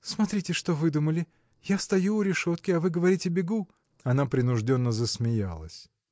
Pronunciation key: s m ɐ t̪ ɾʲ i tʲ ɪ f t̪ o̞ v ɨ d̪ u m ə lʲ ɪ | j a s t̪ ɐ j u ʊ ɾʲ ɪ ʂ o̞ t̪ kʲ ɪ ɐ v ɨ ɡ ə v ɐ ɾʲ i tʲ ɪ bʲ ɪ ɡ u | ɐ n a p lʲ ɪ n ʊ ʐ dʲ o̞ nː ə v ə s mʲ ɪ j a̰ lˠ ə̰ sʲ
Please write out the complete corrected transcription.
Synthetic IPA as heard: s m ɐ t̪ ɾʲ i tʲ ɪ ʂ t̪ o̞ v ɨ d̪ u m ə lʲ ɪ | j a s t̪ ɐ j u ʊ ɾʲ ɪ ʂ o̞ t̪ kʲ ɪ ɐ v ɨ ɡ ə v ɐ ɾʲ i tʲ ɪ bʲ ɪ ɡ u | ɐ n a p ɾʲ ɪ n ʊ ʐ dʲ o̞ nː ə z ə s mʲ ɪ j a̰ lˠ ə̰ sʲ